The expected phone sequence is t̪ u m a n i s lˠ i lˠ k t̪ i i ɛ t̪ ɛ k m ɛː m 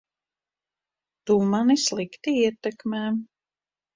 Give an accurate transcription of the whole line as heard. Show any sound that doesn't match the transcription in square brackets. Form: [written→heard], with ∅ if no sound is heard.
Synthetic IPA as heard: t̪ u m a n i s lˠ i [lˠ→∅] k t̪ i i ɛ t̪ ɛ k m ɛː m